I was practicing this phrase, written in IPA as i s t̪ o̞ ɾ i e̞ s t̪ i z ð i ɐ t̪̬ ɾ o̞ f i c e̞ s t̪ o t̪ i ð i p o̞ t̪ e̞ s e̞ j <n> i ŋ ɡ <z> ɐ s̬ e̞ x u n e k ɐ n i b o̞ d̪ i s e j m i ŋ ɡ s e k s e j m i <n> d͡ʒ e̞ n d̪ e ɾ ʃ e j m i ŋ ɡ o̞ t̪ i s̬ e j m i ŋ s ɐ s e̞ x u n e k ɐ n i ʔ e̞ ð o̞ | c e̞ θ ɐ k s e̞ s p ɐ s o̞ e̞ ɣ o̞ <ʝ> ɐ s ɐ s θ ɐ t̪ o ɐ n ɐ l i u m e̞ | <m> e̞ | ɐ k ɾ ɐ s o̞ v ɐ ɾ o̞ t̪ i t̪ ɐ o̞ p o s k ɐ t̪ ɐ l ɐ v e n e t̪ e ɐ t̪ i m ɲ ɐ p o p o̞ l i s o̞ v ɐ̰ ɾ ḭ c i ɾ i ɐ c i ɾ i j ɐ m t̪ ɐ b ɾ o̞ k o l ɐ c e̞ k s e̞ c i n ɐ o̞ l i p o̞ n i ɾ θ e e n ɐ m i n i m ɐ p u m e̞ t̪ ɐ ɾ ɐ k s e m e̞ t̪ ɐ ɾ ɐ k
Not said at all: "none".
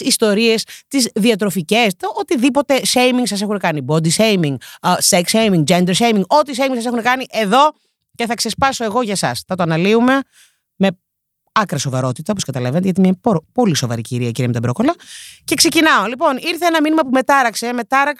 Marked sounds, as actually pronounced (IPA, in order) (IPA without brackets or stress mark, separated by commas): m, s, ŋ, ʝ, m